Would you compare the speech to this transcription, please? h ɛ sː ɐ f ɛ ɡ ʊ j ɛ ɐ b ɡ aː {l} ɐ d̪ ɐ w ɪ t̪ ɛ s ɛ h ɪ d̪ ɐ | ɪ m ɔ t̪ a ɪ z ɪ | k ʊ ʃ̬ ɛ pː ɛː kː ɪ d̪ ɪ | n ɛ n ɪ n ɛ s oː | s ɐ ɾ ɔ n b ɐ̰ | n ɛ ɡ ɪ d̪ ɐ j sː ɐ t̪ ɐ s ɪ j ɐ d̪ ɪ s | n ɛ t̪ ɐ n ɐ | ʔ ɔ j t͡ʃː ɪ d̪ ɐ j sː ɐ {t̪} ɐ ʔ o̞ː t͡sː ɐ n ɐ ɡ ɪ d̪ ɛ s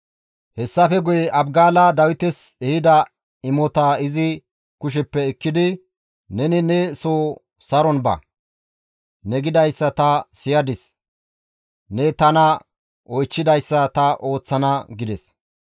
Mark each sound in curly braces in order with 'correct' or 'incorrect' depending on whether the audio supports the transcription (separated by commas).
correct, correct